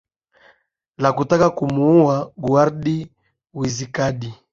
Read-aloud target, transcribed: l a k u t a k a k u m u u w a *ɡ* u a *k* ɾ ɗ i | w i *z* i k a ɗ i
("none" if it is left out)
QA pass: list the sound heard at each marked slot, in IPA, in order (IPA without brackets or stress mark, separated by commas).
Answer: ɡ, none, z